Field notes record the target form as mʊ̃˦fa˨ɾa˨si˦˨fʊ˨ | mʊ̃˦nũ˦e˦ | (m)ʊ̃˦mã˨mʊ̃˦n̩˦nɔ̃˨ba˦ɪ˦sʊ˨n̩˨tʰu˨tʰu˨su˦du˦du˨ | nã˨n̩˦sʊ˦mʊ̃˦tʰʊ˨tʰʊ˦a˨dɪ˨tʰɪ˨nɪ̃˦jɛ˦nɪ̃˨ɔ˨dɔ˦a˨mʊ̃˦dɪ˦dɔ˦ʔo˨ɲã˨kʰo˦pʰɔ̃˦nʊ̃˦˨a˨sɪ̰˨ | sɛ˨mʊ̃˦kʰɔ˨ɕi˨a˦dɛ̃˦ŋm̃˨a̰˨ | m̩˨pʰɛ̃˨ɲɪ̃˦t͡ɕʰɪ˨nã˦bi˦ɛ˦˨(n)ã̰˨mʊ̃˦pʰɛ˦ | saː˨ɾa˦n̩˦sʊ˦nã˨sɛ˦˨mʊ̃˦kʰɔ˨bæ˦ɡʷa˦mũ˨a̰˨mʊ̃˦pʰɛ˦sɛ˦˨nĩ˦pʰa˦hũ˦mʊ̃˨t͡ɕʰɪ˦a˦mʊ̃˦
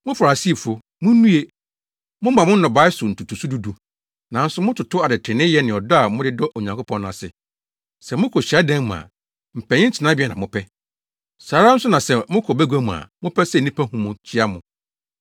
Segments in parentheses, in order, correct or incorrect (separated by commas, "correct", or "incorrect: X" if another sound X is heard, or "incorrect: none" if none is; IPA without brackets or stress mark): correct, correct